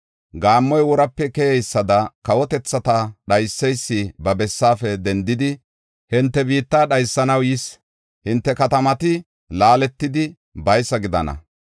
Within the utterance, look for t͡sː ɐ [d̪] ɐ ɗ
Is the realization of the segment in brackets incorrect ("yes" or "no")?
yes